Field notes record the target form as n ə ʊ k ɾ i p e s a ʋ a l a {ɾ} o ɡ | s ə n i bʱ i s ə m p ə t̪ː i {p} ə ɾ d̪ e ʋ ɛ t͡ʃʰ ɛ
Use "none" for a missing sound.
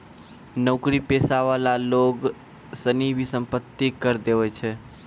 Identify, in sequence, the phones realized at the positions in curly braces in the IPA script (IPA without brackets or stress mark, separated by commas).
l, k